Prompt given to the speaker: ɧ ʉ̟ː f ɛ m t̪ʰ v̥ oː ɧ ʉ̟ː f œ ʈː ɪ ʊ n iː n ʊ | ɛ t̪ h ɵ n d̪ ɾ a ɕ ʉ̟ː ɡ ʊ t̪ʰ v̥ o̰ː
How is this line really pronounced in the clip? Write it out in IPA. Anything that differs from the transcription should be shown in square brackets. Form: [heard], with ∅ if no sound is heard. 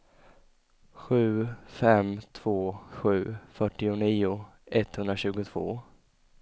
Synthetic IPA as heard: ɧ ʉ̟ː f ɛ m t̪ʰ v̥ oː ɧ ʉ̟ː f œ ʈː ɪ ʊ n iː [∅] ʊ | ɛ t̪ h ɵ n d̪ ɾ a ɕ ʉ̟ː ɡ ʊ t̪ʰ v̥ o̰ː

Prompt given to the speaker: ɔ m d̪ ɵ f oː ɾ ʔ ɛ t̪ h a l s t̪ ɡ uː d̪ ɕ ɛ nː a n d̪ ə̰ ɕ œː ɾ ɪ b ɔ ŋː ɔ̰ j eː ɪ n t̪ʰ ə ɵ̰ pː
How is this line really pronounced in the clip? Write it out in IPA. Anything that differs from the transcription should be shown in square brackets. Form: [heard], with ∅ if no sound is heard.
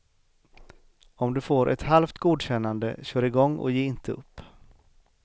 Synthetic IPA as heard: ɔ m d̪ ɵ f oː ɾ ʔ ɛ t̪ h a l [f] t̪ ɡ uː d̪ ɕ ɛ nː a n d̪ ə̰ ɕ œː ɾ ɪ [ɡ] ɔ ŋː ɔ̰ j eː ɪ n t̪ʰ ə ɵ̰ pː

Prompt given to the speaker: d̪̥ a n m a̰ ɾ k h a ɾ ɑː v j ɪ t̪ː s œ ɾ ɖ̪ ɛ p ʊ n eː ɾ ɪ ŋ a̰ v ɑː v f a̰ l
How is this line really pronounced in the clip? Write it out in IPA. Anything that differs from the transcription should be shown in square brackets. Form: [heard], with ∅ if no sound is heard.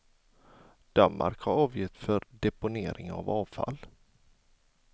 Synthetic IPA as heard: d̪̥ a n m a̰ ɾ k h a ɾ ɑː v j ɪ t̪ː [f] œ ɾ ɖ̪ ɛ p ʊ n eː ɾ ɪ ŋ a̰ v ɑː v f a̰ l

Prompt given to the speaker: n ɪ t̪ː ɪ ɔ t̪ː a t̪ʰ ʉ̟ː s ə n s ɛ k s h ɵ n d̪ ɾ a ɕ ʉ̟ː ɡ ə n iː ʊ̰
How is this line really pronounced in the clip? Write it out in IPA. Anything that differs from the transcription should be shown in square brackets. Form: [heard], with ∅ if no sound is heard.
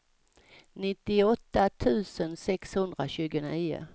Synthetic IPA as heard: n ɪ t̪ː ɪ ɔ t̪ː a t̪ʰ ʉ̟ː s ə n s ɛ k s h ɵ n d̪ ɾ a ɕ ʉ̟ː ɡ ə n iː ʊ̰

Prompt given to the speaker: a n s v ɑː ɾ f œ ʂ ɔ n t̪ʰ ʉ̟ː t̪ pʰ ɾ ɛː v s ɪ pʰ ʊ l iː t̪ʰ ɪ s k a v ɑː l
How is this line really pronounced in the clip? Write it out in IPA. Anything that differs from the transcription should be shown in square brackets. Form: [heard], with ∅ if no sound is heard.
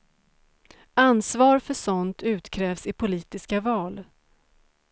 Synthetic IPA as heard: a n s v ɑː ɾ f œ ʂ ɔ n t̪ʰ ʉ̟ː t̪ [kʰ] ɾ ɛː v s ɪ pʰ ʊ l iː [t̪] ɪ s k a v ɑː l

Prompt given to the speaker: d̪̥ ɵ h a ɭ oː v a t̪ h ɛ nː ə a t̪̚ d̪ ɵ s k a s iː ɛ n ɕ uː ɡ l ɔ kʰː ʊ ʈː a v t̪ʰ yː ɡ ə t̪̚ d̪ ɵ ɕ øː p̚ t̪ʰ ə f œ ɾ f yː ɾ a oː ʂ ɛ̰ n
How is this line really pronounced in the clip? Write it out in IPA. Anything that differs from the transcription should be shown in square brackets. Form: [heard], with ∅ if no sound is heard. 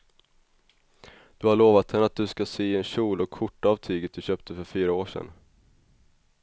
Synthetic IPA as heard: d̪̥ ɵ h a ɭ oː v a t̪ h ɛ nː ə a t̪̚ d̪ ɵ s k a s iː ɛ n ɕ uː [∅] l ɔ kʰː ʊ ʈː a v t̪ʰ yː ɡ ə t̪̚ d̪ ɵ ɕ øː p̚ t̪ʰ ə f œ ɾ f yː ɾ a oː ʂ ɛ̰ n

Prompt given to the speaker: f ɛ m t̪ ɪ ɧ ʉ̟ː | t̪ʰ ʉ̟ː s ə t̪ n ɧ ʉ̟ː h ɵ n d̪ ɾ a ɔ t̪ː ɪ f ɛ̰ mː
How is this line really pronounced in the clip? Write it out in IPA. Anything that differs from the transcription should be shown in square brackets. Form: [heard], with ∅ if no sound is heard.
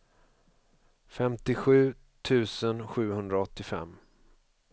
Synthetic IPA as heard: f ɛ m t̪ ɪ ɧ ʉ̟ː | t̪ʰ ʉ̟ː s ə [∅] n ɧ ʉ̟ː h ɵ n d̪ ɾ a ɔ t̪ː ɪ f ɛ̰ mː

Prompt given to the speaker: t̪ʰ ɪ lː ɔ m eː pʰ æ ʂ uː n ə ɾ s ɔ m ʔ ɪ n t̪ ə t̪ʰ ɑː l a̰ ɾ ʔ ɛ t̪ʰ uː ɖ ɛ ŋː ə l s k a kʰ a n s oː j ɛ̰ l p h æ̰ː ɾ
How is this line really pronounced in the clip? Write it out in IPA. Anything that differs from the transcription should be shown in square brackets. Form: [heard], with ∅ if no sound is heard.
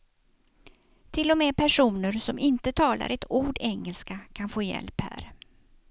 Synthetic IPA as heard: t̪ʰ ɪ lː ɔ m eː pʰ æ ʂ uː n ə ɾ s ɔ m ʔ ɪ n t̪ ə t̪ʰ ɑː l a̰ ɾ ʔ ɛ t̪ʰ uː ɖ ɛ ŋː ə l s k a kʰ a n [f] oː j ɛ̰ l p h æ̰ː ɾ

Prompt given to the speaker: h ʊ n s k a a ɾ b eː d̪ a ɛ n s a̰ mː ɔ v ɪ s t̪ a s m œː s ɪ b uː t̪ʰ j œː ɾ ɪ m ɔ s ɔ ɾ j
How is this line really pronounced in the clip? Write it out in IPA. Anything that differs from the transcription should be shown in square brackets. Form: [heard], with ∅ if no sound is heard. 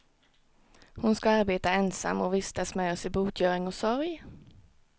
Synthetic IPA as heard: h ʊ n s k a a ɾ b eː [t̪] a ɛ n s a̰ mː ɔ v ɪ s t̪ a s m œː s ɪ b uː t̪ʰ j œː ɾ ɪ [ŋ] ɔ s ɔ ɾ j

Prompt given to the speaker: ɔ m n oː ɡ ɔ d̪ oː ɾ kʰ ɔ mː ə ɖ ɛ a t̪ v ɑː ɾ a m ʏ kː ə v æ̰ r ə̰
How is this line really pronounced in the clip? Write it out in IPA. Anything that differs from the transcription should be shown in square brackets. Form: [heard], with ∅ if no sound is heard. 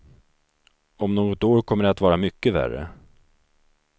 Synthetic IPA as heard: ɔ m n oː ɡ ɔ [t̪] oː ɾ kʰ ɔ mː ə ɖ ɛ a t̪ v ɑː ɾ a m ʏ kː ə v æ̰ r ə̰

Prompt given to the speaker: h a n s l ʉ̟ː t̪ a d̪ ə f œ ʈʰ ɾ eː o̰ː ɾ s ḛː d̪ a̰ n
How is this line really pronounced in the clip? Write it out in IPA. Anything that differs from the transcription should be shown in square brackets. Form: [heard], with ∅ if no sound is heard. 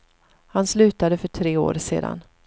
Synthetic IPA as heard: h a n s l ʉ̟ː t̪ a d̪ ə f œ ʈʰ ɾ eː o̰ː ɾ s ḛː d̪ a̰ n

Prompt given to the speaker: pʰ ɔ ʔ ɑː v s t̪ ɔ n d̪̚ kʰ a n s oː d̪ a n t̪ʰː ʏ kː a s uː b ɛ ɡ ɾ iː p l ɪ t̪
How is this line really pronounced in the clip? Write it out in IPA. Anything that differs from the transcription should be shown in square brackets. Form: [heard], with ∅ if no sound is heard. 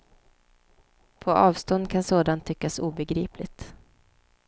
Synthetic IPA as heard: pʰ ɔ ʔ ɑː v s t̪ ɔ n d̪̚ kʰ a n s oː d̪ a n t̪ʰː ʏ kː a s uː b ɛ ɡ ɾ iː p l ɪ t̪

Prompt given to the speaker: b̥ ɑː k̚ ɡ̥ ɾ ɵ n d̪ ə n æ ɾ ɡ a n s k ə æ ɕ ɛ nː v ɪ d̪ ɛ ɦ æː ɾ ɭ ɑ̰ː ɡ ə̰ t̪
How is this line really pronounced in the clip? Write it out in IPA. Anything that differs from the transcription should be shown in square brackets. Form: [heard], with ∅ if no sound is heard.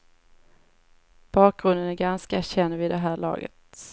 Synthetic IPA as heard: b̥ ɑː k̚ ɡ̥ ɾ ɵ n d̪ ə n æ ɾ ɡ a n s k [a] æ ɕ ɛ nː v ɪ d̪ ɛ ɦ æː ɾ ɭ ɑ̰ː ɡ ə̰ t̪

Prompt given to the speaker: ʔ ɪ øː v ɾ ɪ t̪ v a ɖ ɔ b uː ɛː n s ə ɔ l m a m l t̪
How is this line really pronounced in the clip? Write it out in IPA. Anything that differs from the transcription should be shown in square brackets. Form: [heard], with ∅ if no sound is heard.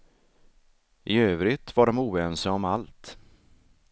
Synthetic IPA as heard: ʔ ɪ øː v ɾ ɪ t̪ v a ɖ ɔ [m] uː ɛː n s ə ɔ [∅] m a [∅] l t̪

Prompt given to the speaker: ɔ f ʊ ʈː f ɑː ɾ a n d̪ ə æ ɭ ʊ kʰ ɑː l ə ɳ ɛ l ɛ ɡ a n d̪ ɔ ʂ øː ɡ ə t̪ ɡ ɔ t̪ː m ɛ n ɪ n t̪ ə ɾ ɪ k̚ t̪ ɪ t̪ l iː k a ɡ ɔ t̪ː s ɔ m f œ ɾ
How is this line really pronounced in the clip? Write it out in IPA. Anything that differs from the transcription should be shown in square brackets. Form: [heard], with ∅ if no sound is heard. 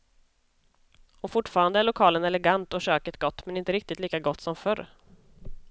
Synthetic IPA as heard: ɔ f ʊ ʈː f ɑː ɾ a n d̪ ə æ ɭ ʊ kʰ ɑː l ə [n] ɛ l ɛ ɡ a n [t̪] ɔ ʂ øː [k] ə t̪ ɡ ɔ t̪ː m ɛ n ɪ n t̪ ə ɾ ɪ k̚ t̪ ɪ t̪ l iː k a ɡ ɔ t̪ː s ɔ m f œ ɾ

